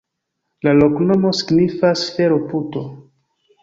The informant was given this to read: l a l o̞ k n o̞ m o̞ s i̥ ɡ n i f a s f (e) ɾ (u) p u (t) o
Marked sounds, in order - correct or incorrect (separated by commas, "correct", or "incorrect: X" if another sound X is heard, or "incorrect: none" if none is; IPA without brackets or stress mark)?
correct, incorrect: o, correct